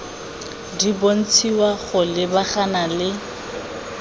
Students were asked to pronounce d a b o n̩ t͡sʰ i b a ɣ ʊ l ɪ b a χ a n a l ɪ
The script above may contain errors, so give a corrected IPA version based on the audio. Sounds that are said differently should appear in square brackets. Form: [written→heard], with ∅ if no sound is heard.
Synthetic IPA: d [a→i] b o n̩ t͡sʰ i [b→w] a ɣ ʊ l ɪ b a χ a n a l ɪ